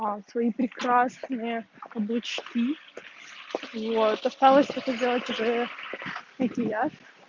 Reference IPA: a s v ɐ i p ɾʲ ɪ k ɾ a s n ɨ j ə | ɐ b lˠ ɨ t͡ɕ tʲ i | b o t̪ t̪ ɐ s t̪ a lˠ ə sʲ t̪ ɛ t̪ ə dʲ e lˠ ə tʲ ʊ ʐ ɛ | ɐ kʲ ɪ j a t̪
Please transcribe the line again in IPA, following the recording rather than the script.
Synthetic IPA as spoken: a s v ɐ i p ɾʲ ɪ k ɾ a s n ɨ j ə | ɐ b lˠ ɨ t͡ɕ kʲ i | v o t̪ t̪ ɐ s t̪ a lˠ ə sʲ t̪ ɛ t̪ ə dʲ e lˠ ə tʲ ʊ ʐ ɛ | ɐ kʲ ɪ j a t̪